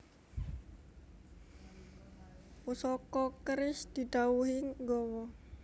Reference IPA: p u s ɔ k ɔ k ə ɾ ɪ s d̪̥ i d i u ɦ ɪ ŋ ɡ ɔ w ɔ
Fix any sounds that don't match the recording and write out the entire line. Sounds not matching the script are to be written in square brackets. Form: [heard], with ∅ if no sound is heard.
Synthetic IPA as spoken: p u s ɔ k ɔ k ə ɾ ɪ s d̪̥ i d [a] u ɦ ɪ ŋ ɡ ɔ w ɔ